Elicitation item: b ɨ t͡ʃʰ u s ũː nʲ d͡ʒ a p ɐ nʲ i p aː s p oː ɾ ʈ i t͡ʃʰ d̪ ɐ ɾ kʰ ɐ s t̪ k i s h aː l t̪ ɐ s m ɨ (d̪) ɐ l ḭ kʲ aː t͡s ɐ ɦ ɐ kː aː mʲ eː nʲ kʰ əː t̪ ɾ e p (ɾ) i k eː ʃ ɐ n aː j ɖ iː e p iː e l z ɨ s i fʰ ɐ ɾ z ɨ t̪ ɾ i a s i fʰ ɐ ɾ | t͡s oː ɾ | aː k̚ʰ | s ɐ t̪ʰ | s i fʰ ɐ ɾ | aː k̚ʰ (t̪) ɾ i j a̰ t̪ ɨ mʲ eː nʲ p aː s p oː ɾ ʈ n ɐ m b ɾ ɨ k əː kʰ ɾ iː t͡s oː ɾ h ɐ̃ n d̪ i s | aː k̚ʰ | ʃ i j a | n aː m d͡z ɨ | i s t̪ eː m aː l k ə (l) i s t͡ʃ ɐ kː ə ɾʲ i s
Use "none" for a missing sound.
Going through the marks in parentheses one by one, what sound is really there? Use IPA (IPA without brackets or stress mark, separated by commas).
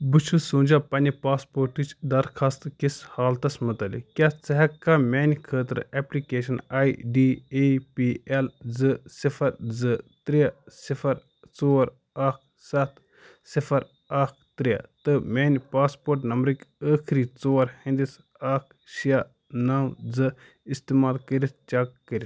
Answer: t̪, l, t̪, ɾ